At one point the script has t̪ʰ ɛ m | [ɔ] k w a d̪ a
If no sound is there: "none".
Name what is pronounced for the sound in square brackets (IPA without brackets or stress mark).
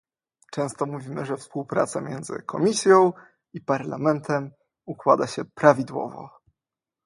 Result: u